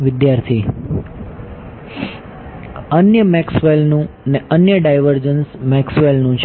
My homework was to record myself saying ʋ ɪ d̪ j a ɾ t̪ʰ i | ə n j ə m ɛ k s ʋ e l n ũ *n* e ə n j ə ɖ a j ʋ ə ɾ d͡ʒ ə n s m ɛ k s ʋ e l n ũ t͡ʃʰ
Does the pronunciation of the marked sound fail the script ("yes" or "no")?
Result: no